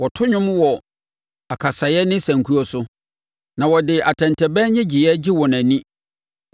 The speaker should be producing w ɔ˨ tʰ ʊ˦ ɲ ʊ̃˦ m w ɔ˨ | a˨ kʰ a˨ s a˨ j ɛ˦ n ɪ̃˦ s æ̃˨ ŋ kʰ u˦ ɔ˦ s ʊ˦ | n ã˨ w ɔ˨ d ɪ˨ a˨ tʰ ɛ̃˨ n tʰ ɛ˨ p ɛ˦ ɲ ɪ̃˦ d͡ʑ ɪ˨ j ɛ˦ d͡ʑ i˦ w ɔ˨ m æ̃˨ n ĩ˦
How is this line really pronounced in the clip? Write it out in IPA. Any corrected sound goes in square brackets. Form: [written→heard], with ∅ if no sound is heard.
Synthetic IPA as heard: w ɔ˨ tʰ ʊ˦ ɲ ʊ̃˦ m w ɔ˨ | a˨ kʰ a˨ s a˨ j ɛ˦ n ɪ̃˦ s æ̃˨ ŋ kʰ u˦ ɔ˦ s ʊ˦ | n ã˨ w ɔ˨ d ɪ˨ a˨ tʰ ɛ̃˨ n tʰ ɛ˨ [p→b] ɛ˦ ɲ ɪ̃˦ d͡ʑ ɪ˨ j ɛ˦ d͡ʑ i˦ w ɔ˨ [m→n] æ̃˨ n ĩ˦